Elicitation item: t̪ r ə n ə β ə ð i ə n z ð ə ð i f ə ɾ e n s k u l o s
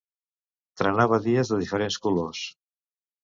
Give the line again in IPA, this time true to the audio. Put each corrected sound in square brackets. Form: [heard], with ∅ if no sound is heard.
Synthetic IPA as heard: t̪ [ɾ] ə n [a] β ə ð i ə [∅] z ð ə ð i f ə ɾ e n s k u l o s